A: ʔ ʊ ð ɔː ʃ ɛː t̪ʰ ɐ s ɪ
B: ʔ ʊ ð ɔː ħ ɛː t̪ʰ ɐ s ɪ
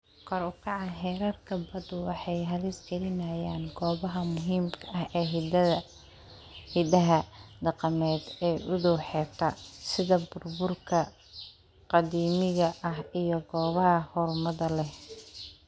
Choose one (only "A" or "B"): B